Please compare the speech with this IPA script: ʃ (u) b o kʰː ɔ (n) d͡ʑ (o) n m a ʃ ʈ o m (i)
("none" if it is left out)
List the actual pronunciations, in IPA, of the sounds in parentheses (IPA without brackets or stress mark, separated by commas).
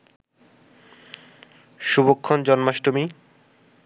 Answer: u, n, ɔ, i